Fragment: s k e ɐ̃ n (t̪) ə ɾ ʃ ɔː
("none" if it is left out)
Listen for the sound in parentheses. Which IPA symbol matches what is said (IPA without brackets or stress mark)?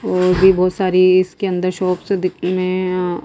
d̪